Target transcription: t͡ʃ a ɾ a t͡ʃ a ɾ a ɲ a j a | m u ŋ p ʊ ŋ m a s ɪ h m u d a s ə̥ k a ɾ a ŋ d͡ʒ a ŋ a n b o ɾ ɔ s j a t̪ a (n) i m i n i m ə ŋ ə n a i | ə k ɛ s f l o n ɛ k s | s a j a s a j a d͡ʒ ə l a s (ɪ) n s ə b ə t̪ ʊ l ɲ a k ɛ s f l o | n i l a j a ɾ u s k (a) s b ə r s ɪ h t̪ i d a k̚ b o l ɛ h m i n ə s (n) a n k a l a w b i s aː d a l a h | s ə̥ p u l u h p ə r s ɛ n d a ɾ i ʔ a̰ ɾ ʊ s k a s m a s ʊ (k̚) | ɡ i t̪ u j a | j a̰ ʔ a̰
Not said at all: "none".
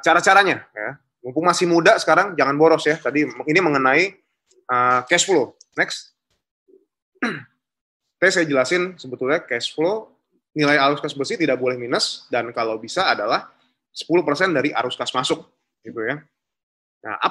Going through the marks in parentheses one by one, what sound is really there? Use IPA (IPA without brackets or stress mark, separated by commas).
d, ɪ, a, d, k̚